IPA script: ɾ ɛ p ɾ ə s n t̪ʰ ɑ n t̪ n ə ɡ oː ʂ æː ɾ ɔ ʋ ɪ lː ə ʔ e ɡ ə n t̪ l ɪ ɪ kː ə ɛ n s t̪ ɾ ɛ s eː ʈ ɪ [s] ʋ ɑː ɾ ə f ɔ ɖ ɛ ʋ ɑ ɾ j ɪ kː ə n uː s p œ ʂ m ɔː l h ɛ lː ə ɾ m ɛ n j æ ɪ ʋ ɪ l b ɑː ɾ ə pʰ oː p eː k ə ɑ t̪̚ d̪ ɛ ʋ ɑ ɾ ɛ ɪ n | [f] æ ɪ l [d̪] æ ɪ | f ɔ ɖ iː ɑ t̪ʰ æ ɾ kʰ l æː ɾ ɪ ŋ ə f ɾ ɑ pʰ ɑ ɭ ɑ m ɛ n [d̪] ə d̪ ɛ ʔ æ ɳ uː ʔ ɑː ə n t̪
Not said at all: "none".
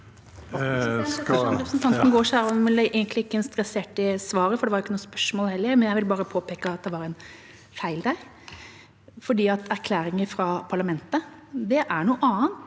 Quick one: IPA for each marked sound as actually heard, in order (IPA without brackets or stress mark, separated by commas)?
s, f, d̪, t̪